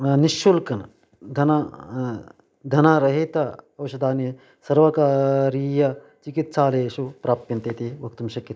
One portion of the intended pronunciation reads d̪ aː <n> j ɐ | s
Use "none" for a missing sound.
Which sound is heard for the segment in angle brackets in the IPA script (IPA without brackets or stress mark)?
n